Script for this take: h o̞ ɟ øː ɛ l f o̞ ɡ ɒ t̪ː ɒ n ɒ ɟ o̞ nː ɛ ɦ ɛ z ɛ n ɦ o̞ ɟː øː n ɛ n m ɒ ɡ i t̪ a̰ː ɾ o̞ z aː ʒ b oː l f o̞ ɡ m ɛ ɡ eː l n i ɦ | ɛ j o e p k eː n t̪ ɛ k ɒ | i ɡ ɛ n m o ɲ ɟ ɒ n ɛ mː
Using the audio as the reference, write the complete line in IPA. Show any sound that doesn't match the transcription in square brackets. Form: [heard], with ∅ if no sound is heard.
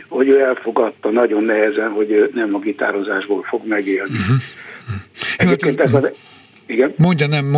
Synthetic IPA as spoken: h o̞ ɟ øː ɛ l f o̞ ɡ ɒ t̪ː ɒ n ɒ ɟ o̞ nː ɛ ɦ ɛ z ɛ n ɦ o̞ [ɟ] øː n ɛ [∅] m ɒ ɡ i t̪ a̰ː ɾ o̞ z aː ʒ b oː l f o̞ ɡ m ɛ ɡ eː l n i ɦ | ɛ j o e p k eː n t̪ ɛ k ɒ | i ɡ ɛ n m o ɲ ɟ ɒ n ɛ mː